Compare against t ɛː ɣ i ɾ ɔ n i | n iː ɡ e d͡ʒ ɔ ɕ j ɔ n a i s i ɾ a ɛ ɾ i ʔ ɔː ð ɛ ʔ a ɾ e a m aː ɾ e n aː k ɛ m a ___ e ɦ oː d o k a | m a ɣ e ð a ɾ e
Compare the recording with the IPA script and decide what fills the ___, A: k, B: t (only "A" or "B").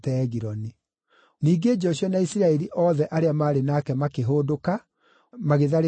A